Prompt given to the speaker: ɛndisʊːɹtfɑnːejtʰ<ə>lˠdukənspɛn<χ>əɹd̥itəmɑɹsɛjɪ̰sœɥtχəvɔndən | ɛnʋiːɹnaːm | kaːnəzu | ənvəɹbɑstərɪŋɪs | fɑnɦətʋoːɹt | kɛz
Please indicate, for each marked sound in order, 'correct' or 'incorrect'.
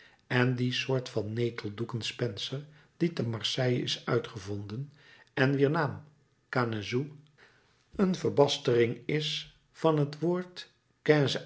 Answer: correct, incorrect

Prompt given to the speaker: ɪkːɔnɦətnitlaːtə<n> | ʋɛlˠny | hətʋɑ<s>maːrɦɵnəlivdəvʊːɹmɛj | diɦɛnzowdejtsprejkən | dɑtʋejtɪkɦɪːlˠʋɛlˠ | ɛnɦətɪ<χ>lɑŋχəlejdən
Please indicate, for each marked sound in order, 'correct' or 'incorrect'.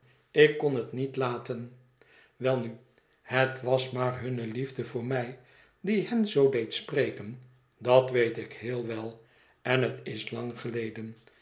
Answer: correct, correct, incorrect

